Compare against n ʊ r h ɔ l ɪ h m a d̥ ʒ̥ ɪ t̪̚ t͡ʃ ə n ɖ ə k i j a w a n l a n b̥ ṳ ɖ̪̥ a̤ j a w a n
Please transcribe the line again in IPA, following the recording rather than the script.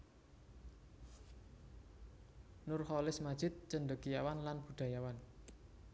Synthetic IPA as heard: n ʊ r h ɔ l ɪ s m a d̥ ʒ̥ ɪ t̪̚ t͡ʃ ə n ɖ ə k i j a w a n l a n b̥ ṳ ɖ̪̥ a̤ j a w a n